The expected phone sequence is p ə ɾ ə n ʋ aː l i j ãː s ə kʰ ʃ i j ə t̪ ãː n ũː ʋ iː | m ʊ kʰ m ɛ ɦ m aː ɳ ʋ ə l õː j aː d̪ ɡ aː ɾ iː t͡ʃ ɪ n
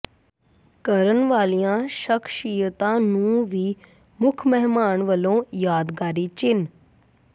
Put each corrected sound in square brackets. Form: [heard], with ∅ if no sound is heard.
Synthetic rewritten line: [k] ə ɾ ə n ʋ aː l i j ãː [ʃ] ə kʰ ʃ i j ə t̪ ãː n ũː ʋ iː | m ʊ kʰ m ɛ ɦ m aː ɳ ʋ ə l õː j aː d̪ ɡ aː ɾ iː t͡ʃ ɪ n